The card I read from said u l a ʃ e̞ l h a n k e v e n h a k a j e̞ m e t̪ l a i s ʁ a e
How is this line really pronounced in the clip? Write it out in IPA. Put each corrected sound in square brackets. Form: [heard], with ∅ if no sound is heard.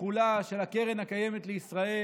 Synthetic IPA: u l a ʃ e̞ l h a [∅] k e [ʁ] e n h a k a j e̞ m e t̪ l [e] i s ʁ a e